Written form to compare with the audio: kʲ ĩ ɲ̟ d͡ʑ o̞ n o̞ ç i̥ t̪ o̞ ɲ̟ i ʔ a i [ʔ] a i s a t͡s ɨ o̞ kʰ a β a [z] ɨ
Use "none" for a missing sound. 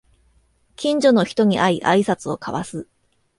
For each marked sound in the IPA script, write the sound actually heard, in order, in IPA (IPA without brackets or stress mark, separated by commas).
ʔ, s